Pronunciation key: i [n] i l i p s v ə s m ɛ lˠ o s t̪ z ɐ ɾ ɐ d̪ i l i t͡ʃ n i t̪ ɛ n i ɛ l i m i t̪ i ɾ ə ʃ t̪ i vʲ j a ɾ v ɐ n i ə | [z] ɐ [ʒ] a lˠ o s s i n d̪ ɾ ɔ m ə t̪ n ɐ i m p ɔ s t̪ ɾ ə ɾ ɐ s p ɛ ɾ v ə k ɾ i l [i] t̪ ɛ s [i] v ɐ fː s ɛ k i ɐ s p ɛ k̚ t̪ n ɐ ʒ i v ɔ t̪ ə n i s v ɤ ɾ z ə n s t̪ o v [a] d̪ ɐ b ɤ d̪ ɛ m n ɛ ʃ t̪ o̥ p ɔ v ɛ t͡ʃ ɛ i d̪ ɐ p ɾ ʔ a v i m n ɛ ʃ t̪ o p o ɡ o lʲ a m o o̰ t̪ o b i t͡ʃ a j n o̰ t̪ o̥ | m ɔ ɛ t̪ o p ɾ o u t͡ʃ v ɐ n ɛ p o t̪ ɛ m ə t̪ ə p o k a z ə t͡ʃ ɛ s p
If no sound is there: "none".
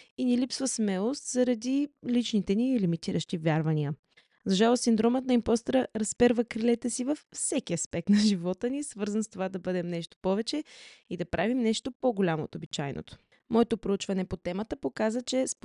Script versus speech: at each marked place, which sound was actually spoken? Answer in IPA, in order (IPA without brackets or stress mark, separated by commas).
n, z, ʒ, ɛ, i, a